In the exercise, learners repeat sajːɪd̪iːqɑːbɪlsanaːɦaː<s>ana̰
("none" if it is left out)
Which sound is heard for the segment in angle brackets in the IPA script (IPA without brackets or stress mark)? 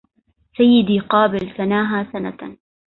s